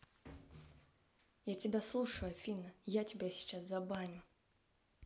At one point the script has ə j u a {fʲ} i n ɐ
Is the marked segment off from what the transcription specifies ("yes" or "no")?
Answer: no